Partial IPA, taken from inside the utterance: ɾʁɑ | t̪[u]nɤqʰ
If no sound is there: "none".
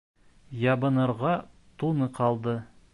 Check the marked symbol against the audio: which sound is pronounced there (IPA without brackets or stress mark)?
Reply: u